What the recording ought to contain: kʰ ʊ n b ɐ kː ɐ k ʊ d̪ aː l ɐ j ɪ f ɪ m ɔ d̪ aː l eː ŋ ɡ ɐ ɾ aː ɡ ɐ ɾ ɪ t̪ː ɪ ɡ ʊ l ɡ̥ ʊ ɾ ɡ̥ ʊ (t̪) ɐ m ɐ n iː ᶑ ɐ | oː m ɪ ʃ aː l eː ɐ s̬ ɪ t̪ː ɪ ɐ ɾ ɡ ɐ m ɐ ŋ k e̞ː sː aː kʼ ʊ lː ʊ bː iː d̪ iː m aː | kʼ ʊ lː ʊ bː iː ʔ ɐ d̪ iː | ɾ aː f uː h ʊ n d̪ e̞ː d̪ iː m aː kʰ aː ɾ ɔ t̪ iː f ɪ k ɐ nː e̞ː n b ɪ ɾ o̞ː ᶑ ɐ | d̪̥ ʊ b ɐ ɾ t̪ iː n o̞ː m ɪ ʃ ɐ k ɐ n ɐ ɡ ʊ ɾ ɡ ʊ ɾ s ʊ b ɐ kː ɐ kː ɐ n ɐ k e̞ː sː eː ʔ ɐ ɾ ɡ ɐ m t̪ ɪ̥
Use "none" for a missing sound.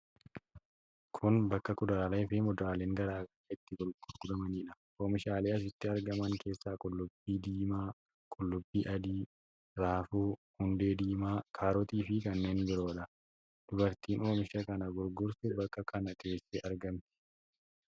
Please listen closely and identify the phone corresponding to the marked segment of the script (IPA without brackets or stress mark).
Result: d̪